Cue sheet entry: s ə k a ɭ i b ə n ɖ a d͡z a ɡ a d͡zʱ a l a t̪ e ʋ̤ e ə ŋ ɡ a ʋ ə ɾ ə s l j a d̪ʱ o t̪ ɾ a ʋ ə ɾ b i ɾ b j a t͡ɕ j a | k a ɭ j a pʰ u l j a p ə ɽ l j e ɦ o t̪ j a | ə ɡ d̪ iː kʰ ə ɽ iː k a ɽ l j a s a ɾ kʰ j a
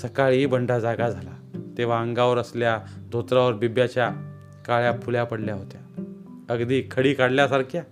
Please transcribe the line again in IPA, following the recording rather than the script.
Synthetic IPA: s ə k a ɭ i b ə ɳ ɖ a d͡z a ɡ a d͡zʱ a l a t̪ e ʋ̤ a ə ŋ ɡ a ʋ ə ɾ ə s l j a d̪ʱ o t̪ ɾ a ʋ ə ɾ b i b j a t͡ɕ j a | k a ɭ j a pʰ u l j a p ə ɽ l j a ɦ o t̪ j a | ə ɡ d̪ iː kʰ ə ɽ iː k a ɽ l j a s a ɾ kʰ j a